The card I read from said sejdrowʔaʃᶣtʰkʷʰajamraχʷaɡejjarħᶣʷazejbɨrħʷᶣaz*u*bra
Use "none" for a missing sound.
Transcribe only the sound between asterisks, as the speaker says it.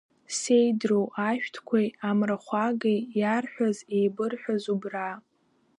u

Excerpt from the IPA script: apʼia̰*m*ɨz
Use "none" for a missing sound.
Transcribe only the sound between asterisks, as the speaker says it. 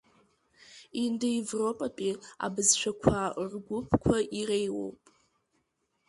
b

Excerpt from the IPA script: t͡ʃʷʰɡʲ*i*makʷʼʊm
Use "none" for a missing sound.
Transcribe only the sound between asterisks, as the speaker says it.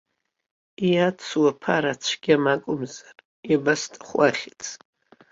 a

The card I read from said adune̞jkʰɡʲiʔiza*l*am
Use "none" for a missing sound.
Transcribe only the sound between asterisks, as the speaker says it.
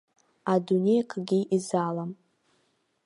l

